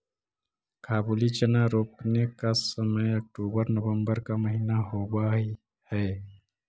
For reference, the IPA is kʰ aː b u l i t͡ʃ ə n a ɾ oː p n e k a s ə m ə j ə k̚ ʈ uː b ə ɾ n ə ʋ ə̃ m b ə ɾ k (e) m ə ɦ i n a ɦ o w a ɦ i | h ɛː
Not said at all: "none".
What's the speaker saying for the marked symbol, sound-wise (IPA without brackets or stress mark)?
a